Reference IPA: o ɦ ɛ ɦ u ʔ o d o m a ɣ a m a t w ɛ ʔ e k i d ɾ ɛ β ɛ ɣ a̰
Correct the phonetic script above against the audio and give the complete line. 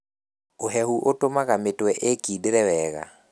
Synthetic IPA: o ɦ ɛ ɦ u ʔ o t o m a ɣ a m e t w ɛ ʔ e k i d ɾ ɛ w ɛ ɣ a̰